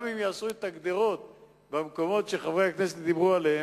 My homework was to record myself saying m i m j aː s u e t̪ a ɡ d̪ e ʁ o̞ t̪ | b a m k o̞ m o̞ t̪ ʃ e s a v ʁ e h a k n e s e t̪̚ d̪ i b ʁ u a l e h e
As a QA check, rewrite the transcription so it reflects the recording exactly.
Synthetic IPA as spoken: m i m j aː s u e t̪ a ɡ d̪ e ʁ o̞ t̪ | b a m k o̞ m o̞ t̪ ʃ e χ a v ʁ e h a k n e s e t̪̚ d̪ i b ʁ u a l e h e